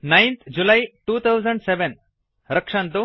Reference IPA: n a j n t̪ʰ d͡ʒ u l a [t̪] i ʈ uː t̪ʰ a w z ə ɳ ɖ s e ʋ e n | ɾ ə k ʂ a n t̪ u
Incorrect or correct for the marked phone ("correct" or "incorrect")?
incorrect